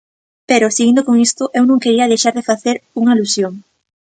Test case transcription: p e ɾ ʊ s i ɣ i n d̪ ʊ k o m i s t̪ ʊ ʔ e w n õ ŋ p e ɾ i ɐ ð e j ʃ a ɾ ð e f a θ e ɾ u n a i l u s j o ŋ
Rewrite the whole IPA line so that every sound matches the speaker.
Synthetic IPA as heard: p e ɾ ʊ s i ɣ i n d̪ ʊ k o ŋ i s t̪ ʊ ʔ e w n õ ŋ k e ɾ i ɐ ð e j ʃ a ɾ ð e f a θ e ɾ u ŋ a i l u s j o ŋ